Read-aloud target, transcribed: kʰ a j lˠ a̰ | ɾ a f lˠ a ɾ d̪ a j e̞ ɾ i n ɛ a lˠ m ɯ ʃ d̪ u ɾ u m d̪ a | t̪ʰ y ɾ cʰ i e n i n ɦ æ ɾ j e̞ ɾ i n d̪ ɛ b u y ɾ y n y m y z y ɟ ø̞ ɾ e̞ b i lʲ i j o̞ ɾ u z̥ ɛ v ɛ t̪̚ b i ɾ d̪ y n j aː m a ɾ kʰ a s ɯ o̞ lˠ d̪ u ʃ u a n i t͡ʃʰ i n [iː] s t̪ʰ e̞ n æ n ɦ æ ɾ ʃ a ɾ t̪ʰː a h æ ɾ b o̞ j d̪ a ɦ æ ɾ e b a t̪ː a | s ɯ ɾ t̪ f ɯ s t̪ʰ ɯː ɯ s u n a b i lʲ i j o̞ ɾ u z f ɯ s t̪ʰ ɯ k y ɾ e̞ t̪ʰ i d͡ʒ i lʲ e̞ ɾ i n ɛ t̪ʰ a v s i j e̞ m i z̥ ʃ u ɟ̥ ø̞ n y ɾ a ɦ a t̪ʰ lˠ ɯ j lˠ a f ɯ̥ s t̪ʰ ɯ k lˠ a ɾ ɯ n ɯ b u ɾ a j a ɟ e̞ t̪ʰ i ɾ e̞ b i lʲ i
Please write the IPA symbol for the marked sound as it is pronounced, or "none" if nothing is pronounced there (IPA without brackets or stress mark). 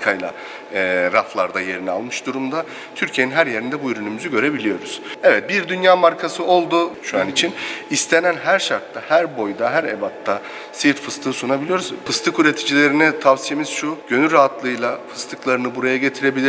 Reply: i